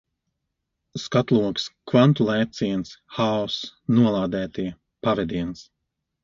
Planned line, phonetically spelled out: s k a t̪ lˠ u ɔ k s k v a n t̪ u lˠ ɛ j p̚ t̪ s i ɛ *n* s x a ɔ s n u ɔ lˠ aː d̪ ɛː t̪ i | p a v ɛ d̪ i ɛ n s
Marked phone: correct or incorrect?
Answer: correct